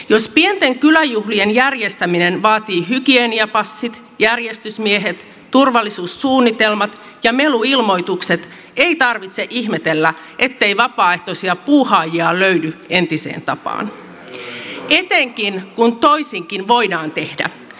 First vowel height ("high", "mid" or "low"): mid